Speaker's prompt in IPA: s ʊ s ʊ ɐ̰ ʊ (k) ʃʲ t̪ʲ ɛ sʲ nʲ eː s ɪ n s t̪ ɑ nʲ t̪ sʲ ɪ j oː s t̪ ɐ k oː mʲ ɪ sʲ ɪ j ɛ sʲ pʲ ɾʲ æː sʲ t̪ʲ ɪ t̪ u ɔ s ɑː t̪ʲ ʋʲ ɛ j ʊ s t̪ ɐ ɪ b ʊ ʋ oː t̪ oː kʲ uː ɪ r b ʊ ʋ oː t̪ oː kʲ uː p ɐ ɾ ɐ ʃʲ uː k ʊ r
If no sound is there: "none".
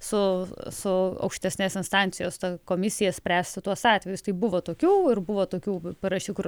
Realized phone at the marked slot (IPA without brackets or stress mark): k